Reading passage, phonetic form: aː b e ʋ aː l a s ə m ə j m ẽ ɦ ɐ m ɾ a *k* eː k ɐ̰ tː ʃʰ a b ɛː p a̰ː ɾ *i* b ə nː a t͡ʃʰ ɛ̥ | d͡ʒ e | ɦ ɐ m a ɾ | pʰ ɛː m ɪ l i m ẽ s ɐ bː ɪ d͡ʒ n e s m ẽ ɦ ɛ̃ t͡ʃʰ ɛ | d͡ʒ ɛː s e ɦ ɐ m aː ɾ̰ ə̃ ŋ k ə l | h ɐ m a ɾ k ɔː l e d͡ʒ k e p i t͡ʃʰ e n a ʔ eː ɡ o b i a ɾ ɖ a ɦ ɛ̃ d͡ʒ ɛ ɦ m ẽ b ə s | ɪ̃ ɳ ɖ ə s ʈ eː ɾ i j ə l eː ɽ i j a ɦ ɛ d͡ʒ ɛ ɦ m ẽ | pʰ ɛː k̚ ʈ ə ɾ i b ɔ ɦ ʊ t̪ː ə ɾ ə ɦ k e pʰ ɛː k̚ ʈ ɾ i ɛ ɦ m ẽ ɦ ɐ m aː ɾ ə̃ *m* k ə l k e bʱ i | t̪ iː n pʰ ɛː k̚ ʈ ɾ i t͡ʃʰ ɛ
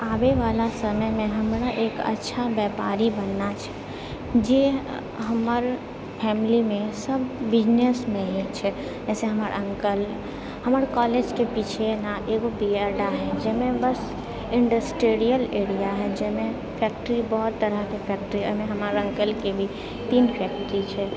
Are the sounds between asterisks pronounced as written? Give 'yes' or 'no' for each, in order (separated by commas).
no, yes, no